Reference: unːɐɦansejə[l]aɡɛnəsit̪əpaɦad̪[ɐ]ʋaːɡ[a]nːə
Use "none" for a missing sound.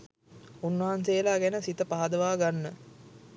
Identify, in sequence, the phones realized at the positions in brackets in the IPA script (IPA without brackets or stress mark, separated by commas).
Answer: l, ə, a